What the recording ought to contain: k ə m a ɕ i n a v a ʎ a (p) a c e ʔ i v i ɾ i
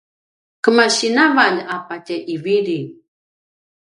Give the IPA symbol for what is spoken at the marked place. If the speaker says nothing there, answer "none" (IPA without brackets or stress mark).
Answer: p